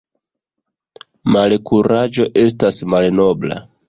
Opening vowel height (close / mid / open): open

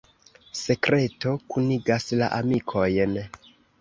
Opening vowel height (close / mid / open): mid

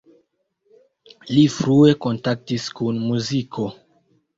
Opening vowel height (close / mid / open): close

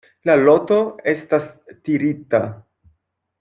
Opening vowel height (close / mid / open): open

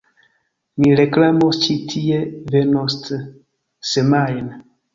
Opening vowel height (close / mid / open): close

